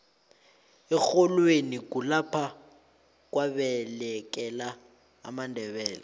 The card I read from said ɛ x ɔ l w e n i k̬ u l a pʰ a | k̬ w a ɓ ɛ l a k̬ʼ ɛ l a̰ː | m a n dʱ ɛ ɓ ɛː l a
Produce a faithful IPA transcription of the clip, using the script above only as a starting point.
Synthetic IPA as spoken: ɛ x ɔ l w e n i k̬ u l a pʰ a | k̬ w a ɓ ɛ l ɛ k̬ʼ ɛ l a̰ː | m a n dʱ ɛ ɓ ɛː l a